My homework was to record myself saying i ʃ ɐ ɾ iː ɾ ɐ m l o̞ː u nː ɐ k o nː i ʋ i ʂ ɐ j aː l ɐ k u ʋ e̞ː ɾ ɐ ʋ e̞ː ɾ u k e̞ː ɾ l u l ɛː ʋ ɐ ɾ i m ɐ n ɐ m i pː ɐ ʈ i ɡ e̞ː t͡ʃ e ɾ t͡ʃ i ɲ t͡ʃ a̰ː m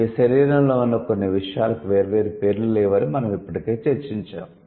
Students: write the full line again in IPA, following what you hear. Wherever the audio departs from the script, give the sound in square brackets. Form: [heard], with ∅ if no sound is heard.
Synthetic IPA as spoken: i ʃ ɐ ɾ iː ɾ ɐ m l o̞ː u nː ɐ k o nː i ʋ i ʂ ɐ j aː l ɐ k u ʋ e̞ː ɾ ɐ ʋ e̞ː ɾ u [p] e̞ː ɾ l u l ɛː ʋ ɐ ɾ i m ɐ n ɐ m i pː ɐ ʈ i [k] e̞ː t͡ʃ e ɾ t͡ʃ i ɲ t͡ʃ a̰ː m